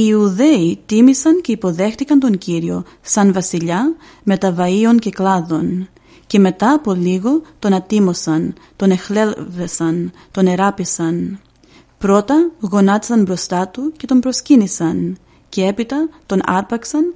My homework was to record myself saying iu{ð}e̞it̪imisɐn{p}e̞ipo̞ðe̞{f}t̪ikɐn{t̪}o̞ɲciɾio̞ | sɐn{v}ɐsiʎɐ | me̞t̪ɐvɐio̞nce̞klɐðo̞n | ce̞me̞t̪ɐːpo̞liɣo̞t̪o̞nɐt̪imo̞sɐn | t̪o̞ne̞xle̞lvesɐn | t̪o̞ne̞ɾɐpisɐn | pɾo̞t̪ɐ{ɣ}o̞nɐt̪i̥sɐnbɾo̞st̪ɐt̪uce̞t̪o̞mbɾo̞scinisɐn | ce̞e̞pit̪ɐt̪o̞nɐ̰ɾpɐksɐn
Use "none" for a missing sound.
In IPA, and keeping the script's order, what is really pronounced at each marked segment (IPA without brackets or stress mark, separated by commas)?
ð, c, x, t̪, v, ɣ